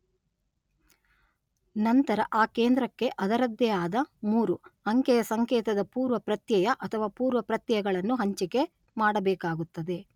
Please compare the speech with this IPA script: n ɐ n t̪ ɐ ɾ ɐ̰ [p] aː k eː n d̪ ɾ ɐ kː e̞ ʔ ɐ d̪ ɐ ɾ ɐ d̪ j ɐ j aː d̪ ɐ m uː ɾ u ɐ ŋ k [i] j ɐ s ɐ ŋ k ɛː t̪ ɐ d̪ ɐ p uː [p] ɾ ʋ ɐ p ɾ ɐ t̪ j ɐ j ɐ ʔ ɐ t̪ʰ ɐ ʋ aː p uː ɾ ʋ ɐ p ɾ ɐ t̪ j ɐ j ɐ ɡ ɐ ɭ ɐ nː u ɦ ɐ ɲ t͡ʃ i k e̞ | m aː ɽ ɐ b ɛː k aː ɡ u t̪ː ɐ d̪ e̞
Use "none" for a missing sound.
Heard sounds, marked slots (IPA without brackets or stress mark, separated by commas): ʔ, ɛ, none